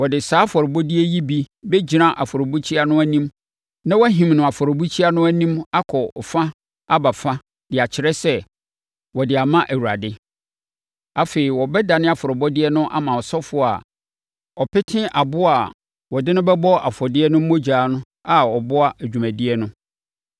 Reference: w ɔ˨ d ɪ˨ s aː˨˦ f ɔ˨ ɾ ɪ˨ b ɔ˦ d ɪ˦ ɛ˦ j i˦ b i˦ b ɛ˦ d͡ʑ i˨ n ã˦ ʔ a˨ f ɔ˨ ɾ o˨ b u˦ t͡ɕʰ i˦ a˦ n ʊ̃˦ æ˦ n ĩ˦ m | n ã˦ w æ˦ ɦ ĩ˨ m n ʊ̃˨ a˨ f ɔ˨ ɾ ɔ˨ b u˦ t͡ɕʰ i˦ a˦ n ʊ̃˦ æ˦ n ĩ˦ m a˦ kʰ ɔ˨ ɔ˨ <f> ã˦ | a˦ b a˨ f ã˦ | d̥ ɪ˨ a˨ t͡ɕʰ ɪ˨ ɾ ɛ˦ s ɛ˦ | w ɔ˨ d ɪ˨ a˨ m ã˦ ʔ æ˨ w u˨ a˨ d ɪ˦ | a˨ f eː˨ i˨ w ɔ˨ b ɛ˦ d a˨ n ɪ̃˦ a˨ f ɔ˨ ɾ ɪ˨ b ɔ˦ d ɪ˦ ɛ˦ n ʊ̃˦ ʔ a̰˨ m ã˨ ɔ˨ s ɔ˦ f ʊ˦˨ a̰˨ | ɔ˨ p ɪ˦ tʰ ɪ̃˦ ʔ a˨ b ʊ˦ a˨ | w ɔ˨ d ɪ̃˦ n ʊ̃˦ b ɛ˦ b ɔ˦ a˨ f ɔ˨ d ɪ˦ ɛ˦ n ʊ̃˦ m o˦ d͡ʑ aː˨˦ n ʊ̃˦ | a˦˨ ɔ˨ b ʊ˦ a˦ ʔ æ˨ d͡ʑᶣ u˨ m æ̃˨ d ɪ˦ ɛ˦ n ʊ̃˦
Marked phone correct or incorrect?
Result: correct